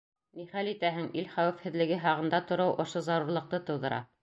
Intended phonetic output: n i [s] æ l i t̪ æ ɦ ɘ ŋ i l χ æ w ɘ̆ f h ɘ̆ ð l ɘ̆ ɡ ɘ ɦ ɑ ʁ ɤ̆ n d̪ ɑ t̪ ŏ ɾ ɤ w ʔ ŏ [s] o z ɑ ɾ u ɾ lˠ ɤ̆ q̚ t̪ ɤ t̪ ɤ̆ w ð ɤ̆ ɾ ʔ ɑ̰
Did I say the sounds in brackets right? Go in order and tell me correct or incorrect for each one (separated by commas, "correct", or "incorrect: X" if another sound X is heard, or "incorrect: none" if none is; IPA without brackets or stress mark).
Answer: incorrect: χ, incorrect: ʃ